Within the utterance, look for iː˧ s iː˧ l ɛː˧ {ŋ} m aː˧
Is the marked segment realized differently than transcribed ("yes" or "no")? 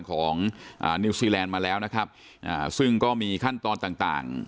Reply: yes